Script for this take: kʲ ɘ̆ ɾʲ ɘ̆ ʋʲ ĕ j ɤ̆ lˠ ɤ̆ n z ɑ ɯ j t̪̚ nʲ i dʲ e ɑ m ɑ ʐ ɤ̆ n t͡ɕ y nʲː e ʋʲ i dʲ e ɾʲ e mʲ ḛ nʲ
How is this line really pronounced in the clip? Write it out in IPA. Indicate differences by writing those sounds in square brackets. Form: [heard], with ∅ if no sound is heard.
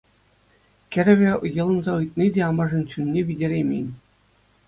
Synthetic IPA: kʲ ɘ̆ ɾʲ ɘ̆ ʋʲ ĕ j ɤ̆ lˠ ɤ̆ n z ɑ ɯ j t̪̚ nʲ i dʲ e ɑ m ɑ ʐ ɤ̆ n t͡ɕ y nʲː e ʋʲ i dʲ e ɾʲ e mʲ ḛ nʲ